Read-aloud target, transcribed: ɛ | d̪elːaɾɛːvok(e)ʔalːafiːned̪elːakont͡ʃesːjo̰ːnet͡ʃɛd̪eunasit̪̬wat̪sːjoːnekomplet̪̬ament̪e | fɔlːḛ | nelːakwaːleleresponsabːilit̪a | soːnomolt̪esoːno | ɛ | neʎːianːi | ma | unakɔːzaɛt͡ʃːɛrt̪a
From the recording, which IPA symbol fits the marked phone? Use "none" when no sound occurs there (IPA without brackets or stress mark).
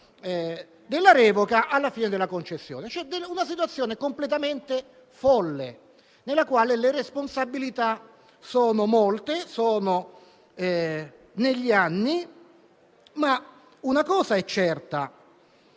a